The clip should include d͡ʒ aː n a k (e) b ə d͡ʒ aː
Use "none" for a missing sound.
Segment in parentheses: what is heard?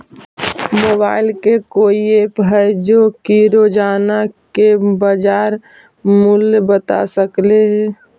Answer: e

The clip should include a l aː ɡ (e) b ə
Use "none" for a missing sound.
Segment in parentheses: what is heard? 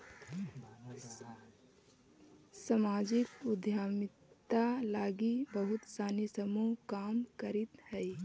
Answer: i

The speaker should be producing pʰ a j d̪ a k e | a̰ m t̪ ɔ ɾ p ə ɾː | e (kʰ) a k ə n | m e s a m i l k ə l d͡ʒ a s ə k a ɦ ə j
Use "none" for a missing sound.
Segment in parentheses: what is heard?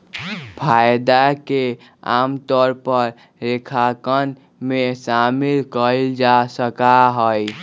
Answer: kʰ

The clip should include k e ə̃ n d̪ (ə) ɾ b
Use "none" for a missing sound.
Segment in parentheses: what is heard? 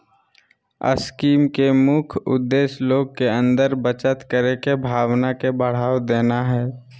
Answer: ə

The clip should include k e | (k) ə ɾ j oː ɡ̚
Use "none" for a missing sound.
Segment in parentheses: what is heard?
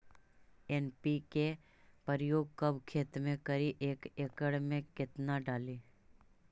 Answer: p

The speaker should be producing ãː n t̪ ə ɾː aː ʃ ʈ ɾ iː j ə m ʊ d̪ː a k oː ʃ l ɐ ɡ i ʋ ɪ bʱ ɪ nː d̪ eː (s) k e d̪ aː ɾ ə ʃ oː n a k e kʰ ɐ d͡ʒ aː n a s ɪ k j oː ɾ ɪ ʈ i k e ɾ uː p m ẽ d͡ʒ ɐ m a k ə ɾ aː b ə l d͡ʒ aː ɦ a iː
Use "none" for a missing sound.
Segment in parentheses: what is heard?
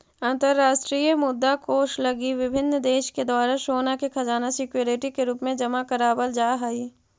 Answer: ʃ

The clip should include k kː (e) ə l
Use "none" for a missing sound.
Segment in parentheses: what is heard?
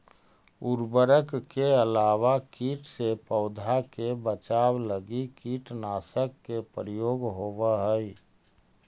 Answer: e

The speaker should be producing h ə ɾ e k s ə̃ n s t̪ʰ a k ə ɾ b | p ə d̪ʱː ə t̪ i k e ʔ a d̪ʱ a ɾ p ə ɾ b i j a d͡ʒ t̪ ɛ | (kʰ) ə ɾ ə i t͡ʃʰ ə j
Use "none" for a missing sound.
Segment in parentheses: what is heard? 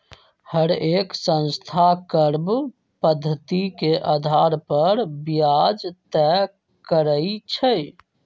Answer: k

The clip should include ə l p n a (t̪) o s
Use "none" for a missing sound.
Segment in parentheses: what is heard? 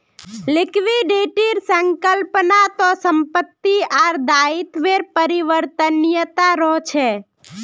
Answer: t̪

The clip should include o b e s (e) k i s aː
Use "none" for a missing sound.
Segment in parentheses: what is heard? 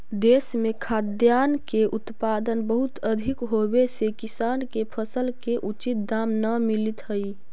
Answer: e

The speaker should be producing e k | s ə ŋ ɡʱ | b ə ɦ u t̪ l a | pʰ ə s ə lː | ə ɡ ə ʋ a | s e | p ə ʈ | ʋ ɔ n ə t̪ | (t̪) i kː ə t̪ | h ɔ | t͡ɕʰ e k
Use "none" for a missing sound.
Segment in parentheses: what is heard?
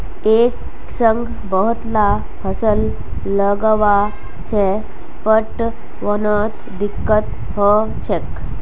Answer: d̪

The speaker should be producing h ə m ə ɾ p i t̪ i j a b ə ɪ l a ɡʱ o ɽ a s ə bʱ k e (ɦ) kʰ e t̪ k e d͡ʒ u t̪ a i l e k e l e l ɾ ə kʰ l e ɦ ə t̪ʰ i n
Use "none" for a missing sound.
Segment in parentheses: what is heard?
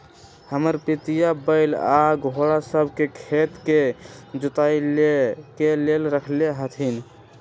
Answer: none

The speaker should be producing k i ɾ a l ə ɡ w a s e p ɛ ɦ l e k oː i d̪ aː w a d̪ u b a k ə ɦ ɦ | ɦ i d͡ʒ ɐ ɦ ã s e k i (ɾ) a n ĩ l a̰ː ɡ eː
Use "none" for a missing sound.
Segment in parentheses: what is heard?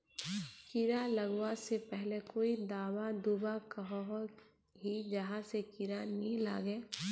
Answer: ɾ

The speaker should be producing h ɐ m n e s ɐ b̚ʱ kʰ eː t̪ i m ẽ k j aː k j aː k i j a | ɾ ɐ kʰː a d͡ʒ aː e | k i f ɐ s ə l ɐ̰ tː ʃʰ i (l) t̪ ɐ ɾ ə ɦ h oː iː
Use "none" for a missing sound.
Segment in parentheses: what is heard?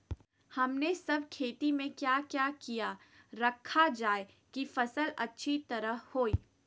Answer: none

